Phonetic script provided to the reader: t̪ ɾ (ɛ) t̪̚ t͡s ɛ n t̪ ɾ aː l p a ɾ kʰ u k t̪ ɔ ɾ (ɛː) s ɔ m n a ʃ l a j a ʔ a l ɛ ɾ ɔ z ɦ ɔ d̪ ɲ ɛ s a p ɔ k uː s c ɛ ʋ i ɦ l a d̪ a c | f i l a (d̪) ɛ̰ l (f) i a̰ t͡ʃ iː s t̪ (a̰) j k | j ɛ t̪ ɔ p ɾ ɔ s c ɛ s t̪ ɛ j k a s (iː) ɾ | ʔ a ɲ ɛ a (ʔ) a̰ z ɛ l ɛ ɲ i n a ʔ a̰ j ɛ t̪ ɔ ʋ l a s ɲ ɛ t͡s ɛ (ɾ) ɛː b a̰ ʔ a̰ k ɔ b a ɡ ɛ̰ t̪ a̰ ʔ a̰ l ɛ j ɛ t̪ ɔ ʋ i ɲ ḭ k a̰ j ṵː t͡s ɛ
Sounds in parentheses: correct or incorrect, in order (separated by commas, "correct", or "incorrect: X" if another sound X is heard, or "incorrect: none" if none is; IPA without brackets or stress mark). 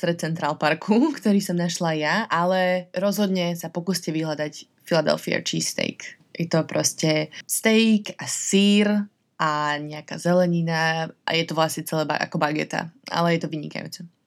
correct, incorrect: iː, correct, correct, incorrect: ɛ̰, correct, incorrect: k, incorrect: l